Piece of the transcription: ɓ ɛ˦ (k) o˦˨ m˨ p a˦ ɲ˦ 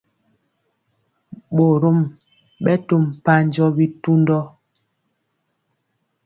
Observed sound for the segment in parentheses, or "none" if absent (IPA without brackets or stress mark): t